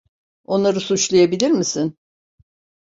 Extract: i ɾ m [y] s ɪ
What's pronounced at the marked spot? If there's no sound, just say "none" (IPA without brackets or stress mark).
i